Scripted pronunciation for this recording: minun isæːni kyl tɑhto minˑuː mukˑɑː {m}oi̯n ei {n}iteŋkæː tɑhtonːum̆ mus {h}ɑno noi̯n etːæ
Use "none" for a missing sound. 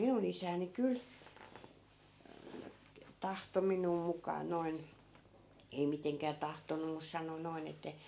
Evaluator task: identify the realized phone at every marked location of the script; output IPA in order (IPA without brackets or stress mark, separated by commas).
n, m, s